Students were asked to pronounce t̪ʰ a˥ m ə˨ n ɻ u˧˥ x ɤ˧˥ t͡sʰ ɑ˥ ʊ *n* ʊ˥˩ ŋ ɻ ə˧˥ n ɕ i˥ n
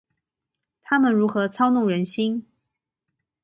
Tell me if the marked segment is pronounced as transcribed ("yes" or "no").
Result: yes